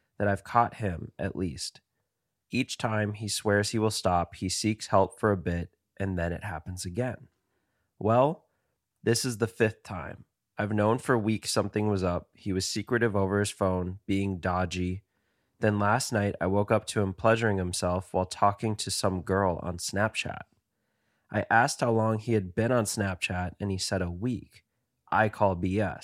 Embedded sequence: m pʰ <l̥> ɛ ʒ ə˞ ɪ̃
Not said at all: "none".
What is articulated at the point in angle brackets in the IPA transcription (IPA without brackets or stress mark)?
l̥